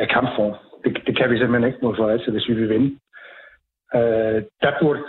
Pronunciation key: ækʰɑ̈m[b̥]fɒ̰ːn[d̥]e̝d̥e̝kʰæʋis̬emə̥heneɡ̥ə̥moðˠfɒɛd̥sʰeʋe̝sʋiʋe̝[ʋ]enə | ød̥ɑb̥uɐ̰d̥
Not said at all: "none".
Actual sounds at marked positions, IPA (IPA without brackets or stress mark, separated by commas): b̥, d̥, ʋ